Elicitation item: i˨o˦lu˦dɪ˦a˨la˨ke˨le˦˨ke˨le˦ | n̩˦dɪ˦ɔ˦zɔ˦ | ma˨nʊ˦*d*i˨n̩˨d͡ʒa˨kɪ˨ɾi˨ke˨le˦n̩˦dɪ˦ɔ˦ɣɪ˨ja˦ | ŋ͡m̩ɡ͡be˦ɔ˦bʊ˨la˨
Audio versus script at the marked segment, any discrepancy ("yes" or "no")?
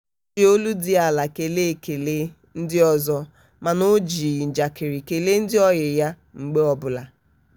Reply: yes